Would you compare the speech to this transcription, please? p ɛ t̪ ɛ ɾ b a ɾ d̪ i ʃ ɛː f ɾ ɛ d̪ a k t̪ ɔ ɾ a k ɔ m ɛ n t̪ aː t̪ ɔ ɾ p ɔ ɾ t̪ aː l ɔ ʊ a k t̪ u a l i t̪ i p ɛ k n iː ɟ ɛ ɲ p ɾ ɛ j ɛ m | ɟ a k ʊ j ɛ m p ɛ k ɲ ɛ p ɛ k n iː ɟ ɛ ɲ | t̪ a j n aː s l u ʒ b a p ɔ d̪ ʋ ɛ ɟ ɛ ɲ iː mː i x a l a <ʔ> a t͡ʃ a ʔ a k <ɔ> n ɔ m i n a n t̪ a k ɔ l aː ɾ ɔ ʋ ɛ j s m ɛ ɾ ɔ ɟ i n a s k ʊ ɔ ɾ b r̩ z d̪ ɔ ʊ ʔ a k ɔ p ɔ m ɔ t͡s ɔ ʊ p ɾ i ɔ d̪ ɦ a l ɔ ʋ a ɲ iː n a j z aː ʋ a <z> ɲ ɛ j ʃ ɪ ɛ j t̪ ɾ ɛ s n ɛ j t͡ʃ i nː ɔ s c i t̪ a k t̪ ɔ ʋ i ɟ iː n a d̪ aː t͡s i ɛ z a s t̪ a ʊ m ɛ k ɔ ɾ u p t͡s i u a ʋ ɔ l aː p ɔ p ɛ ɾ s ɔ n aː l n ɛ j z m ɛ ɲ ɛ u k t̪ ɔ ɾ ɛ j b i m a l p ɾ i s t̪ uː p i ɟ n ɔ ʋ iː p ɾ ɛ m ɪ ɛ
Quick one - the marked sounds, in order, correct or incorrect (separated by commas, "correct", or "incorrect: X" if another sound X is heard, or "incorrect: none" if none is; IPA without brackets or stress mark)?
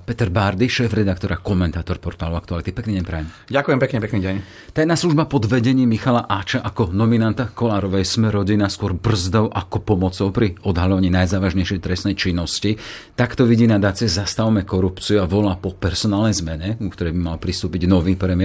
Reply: correct, correct, incorrect: ʒ